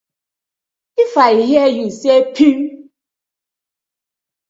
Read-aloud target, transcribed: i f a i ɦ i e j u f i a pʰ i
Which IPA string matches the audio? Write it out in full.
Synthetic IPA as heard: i f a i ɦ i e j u s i e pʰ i